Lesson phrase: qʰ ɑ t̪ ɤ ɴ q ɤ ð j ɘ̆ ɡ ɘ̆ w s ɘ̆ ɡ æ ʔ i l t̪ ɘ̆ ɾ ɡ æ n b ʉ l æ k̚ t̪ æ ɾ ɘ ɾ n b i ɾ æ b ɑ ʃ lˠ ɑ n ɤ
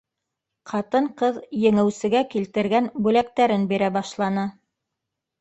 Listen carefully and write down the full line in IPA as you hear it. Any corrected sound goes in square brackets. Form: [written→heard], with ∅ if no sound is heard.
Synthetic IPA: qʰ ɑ t̪ ɤ ɴ q ɤ ð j ɘ̆ [ɡ→ŋ] ɘ̆ w s ɘ̆ ɡ æ [ʔ→k] i l t̪ ɘ̆ ɾ ɡ æ n b ʉ l æ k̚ t̪ æ ɾ ɘ [ɾ→∅] n b i ɾ æ b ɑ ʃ lˠ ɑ n ɤ